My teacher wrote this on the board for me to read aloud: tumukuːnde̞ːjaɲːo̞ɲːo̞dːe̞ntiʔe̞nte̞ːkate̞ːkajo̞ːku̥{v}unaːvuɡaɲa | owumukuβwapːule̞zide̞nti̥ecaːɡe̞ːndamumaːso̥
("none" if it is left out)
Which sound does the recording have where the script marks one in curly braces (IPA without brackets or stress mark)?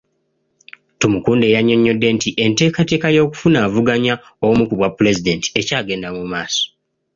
f